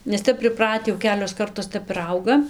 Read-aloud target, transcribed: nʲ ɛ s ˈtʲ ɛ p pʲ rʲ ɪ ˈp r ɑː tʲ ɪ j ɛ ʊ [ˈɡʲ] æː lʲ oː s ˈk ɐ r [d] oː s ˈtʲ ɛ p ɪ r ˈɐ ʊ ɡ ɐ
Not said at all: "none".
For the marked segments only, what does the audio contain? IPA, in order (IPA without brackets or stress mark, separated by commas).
kʲ, t